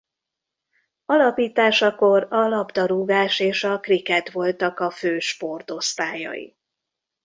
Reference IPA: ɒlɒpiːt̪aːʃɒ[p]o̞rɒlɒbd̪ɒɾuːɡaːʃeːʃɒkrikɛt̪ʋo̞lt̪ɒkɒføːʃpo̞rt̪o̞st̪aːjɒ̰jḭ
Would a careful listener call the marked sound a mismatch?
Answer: yes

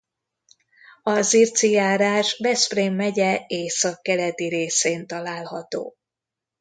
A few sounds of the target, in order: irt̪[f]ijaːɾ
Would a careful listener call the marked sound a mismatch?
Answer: yes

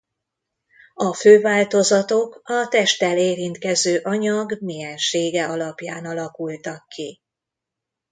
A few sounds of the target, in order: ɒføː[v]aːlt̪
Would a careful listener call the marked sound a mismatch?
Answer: no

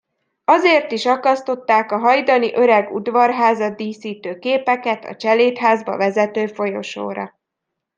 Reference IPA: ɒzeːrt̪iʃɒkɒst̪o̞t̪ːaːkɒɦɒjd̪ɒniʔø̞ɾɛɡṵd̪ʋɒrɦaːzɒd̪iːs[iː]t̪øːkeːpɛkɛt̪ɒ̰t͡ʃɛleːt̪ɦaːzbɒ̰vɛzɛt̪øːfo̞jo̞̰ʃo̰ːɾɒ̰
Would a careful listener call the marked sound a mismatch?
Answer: no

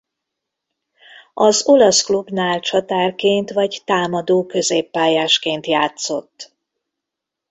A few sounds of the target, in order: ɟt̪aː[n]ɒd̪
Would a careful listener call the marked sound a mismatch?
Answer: yes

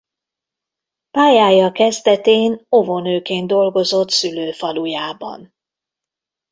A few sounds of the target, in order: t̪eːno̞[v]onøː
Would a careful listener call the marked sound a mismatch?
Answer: no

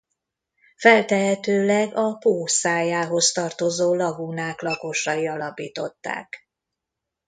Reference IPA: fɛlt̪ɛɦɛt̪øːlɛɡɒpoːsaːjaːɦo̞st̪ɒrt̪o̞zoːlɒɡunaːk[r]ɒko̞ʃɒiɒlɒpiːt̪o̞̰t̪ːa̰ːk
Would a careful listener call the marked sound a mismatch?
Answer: yes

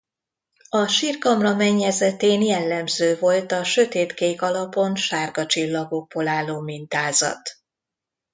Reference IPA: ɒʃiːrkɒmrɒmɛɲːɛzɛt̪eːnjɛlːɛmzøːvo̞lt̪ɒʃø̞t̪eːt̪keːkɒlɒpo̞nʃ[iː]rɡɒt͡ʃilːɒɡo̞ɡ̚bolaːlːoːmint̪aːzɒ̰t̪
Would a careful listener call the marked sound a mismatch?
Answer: yes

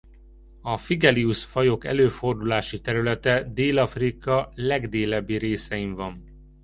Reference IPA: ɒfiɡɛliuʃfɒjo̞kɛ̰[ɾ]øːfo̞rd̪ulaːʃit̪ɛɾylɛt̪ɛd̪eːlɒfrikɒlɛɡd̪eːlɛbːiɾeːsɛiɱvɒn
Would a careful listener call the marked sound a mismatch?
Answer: yes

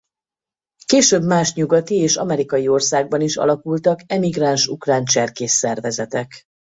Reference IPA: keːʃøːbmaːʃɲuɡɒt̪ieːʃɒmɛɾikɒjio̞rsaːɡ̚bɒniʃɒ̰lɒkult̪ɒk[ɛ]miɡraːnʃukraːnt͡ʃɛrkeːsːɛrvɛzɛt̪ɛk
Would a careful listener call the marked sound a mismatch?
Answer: no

